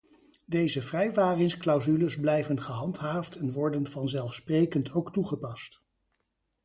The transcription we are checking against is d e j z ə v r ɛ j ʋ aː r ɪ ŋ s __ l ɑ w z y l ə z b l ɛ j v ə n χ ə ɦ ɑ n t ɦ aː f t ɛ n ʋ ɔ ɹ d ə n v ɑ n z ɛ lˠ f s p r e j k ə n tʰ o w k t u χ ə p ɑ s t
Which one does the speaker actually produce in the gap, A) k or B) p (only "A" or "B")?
A